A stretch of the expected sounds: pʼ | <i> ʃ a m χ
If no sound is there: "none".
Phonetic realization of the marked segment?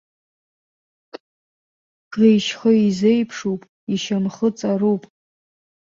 i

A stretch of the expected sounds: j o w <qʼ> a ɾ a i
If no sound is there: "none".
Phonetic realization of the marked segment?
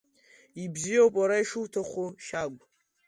pʼ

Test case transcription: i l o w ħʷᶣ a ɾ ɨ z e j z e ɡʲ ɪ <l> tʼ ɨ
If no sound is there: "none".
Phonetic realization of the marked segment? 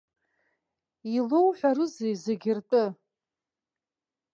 r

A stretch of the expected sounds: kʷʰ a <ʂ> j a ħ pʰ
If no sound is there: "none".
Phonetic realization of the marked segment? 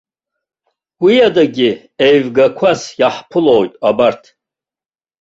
s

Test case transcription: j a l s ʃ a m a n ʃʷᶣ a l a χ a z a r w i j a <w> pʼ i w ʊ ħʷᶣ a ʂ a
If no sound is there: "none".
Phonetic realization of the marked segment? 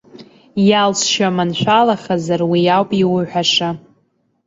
w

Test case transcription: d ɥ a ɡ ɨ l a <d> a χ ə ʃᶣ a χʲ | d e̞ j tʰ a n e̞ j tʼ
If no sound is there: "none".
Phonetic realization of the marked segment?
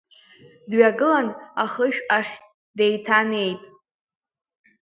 n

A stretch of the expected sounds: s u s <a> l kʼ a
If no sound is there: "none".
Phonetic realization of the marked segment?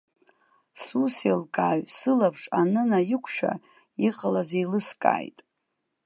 e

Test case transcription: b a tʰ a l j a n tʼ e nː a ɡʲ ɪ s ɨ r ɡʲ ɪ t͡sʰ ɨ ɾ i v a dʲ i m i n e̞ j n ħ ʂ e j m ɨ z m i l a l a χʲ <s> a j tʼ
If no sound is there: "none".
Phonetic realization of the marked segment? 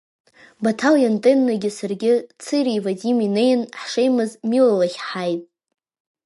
ħ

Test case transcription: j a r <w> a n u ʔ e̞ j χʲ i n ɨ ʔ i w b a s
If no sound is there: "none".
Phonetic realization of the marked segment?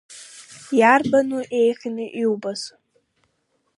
b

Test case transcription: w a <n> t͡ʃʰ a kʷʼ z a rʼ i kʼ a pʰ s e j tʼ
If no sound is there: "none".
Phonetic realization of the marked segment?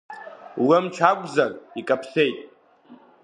m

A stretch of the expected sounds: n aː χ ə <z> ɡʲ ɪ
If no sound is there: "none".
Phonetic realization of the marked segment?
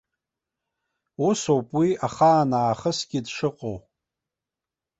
s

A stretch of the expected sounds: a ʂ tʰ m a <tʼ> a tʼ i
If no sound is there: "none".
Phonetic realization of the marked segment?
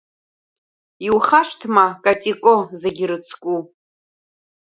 kʼ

